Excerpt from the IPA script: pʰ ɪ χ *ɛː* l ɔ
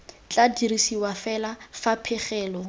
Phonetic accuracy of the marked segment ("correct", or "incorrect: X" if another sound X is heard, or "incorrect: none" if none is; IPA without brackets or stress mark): correct